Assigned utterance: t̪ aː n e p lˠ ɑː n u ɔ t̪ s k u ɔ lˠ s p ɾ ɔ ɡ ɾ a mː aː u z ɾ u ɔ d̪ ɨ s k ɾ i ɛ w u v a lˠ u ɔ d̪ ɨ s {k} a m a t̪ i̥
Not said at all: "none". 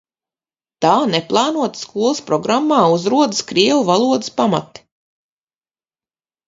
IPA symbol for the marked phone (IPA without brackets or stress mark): p